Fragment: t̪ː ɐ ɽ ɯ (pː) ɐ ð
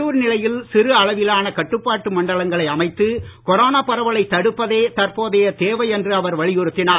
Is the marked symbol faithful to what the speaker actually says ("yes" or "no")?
yes